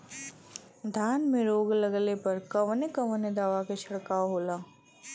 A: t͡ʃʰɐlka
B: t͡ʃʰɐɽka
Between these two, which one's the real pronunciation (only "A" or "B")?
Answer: B